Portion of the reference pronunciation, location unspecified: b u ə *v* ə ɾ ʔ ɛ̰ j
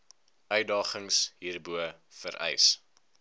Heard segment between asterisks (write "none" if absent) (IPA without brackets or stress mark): f